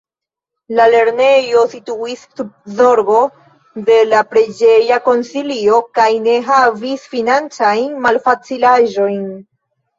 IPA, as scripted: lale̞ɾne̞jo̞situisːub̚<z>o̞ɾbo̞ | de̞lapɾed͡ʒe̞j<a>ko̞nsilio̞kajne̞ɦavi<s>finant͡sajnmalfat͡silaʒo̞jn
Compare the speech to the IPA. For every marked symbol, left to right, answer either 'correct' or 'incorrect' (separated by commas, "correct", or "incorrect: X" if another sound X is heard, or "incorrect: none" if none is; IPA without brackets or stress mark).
correct, correct, correct